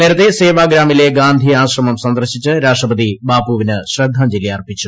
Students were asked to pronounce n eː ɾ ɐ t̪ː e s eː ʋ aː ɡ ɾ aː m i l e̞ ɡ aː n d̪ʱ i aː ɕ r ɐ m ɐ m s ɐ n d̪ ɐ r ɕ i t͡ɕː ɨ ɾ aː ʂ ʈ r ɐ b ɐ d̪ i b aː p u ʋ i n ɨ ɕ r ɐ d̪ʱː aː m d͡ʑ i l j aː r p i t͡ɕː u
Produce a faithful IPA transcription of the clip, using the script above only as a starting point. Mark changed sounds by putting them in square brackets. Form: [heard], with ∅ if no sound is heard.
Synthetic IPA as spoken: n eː ɾ ɐ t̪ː e s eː ʋ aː ɡ ɾ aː m i l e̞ ɡ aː n d̪ʱ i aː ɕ r ɐ m ɐ m s ɐ n d̪ ɐ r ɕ i t͡ɕː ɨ ɾ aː ʂ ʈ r ɐ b ɐ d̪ i b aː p u ʋ i n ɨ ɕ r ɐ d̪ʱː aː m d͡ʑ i l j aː r p i t͡ɕː u